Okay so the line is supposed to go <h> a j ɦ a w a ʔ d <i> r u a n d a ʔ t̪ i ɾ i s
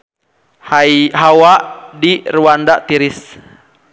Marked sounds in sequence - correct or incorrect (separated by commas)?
correct, correct